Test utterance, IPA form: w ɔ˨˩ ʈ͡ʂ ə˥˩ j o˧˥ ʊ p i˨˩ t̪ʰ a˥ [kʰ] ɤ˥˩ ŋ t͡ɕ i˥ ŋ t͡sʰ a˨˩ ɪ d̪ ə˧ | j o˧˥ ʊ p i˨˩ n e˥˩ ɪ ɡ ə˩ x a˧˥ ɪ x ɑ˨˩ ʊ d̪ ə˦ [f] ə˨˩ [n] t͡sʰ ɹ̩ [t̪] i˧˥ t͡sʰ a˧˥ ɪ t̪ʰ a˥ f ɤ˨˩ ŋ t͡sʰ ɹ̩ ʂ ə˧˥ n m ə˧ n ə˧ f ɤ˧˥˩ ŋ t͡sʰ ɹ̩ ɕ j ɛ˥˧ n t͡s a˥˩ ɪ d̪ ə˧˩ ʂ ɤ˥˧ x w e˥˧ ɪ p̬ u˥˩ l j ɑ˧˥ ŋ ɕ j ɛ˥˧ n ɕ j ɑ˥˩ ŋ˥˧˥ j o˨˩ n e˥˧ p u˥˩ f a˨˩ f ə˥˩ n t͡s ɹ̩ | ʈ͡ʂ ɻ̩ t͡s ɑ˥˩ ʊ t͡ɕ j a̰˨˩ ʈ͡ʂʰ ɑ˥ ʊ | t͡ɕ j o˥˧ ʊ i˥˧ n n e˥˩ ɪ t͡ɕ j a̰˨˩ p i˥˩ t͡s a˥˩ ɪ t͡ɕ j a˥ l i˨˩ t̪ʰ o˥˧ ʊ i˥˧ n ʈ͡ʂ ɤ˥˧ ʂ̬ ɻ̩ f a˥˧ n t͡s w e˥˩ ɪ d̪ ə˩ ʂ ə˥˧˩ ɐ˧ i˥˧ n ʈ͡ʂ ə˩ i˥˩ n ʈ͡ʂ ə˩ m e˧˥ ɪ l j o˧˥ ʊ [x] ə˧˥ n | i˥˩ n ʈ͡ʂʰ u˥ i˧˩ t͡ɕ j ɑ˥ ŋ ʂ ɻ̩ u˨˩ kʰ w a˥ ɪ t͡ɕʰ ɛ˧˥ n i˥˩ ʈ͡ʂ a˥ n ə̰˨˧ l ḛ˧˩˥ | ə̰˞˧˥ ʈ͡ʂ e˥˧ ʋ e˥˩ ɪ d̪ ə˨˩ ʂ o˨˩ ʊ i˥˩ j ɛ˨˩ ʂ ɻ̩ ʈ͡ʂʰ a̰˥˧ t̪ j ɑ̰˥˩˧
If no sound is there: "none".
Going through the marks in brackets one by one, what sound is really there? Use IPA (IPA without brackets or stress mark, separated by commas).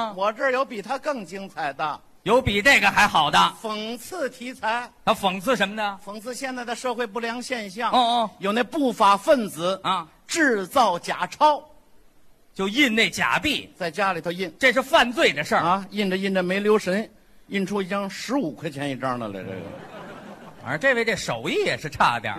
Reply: k, f, ŋ, t̪ʰ, ʂ